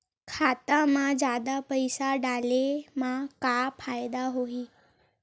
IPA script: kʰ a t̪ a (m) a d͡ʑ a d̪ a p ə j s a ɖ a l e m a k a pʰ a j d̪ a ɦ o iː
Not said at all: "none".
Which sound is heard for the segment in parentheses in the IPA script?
m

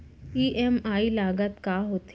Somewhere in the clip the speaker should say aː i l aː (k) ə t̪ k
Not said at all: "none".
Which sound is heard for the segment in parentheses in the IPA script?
ɡ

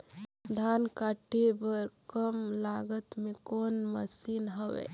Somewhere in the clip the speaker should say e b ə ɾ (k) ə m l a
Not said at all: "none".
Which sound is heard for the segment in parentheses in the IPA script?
k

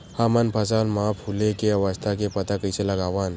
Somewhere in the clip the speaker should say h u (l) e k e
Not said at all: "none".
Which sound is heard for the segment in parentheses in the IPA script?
l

